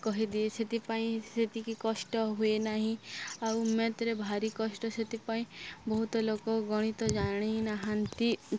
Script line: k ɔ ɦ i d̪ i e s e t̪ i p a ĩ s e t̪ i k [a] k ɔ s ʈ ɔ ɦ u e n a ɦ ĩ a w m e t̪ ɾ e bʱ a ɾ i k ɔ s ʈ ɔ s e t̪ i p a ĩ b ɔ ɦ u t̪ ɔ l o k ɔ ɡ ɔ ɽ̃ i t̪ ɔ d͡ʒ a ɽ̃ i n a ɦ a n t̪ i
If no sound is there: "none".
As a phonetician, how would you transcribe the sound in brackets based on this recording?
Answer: i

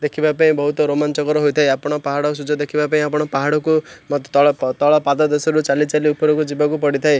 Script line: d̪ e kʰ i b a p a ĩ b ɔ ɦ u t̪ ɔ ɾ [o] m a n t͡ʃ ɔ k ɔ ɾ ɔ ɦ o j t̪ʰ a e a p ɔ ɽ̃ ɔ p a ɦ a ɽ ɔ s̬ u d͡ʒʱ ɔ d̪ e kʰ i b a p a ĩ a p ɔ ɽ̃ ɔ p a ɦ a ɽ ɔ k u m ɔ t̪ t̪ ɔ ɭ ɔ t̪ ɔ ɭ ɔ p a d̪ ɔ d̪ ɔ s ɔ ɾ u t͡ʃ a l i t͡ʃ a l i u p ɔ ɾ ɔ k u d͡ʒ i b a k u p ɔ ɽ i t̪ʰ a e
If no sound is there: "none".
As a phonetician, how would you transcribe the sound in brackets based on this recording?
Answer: o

